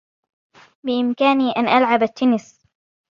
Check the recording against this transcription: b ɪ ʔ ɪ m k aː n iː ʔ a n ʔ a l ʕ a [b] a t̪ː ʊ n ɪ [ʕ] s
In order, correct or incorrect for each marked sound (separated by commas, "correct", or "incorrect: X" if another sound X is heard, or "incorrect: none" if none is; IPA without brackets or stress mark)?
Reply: correct, incorrect: none